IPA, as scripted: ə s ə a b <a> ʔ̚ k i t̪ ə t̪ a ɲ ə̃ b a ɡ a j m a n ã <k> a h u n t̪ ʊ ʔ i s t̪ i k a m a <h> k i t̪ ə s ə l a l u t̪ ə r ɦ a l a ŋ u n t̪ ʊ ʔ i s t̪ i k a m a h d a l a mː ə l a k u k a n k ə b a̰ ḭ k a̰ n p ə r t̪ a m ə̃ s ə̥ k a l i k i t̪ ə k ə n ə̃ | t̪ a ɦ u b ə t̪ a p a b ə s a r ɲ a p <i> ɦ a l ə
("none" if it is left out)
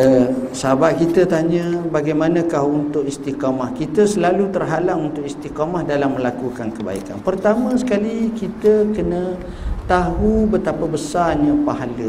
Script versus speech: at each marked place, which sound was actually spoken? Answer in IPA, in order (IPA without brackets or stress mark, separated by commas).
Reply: a, k, h, a